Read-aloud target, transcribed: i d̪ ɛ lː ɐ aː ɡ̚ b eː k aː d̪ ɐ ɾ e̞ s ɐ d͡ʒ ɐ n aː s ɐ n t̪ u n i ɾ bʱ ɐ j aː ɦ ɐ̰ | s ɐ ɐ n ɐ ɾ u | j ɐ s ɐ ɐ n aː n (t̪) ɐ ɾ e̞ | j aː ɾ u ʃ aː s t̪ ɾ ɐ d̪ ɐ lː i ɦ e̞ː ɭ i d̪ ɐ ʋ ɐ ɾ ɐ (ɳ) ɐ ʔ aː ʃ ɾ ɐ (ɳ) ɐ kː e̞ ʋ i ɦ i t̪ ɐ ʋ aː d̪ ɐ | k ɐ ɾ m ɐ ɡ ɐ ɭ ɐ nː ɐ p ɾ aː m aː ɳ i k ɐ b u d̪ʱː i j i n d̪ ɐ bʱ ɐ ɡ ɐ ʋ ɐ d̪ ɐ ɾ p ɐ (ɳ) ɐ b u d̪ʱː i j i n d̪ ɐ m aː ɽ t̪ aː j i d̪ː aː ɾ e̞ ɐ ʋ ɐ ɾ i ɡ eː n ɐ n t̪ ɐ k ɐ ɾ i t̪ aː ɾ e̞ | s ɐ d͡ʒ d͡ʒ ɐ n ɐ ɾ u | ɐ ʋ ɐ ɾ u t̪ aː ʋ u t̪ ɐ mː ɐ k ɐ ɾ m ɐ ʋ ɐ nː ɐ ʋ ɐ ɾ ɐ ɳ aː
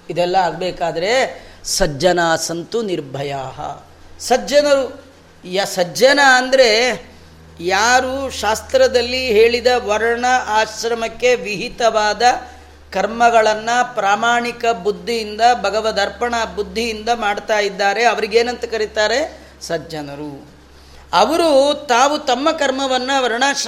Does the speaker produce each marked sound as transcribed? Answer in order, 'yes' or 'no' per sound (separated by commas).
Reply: no, yes, no, yes